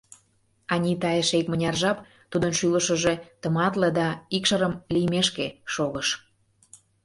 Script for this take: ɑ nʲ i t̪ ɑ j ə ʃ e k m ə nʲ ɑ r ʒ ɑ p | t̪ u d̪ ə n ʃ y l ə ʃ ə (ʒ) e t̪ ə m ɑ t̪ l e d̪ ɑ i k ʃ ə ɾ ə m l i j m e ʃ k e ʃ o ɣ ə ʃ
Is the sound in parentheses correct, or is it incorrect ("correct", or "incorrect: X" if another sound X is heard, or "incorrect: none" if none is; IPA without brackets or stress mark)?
correct